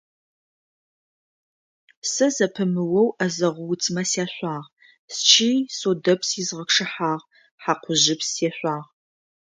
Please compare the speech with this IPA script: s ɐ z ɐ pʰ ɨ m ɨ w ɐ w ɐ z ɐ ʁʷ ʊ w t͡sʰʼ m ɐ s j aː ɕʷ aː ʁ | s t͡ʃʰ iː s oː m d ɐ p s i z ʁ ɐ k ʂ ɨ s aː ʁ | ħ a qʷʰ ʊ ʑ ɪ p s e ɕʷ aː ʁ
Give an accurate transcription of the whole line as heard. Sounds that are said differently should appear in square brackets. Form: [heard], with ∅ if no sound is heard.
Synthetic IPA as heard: s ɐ z ɐ pʰ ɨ m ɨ w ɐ w ɐ z ɐ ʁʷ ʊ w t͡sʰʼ m ɐ s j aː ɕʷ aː ʁ | s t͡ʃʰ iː s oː [∅] d ɐ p s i z ʁ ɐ k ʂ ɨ [ħ] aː ʁ | ħ a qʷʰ ʊ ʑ ɪ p s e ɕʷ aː ʁ